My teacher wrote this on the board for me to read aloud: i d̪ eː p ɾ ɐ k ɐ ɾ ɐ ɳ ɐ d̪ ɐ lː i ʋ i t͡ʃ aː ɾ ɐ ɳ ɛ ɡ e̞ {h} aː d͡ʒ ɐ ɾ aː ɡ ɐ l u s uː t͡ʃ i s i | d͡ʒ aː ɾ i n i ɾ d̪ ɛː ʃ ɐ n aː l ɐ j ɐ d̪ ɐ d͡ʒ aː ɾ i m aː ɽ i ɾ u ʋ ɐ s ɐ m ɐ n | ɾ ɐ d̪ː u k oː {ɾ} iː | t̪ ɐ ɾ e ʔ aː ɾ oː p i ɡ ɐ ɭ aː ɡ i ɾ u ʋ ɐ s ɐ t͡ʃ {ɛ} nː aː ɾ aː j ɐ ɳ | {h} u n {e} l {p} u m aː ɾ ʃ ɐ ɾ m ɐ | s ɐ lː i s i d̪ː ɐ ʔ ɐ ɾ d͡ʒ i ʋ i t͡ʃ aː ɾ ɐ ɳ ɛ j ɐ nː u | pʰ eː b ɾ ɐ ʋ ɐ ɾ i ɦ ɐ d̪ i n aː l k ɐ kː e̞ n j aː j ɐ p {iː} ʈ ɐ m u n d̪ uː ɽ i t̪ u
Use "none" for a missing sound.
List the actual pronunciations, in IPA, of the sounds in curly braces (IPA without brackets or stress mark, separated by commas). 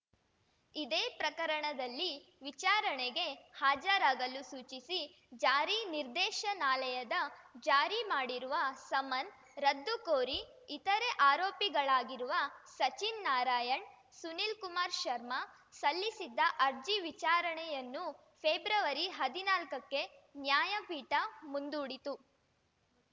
h, ɾ, i, s, i, k, iː